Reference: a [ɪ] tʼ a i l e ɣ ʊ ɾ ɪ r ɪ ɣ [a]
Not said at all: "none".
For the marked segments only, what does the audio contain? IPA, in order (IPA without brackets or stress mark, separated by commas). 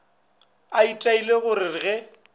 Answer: i, ɛ